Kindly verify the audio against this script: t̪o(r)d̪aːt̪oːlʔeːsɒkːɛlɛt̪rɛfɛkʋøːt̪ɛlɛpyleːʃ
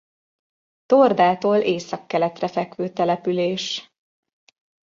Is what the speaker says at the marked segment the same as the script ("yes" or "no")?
yes